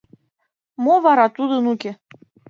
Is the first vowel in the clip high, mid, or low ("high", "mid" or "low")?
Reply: mid